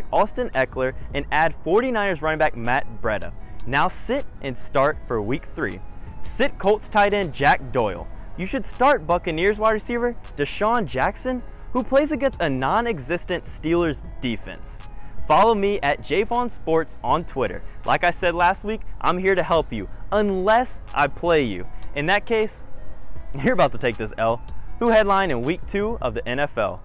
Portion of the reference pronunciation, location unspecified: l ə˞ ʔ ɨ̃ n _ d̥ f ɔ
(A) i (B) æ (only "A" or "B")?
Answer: B